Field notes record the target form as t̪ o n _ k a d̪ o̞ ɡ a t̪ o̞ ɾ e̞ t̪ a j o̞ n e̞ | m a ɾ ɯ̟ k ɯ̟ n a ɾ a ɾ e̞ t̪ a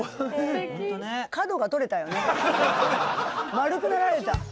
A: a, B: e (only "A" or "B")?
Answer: B